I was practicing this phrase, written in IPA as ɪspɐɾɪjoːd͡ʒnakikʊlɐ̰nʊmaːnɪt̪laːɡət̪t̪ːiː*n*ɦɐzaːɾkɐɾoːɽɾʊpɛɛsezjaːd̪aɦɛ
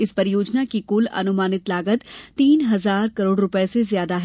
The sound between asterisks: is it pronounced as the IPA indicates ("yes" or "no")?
yes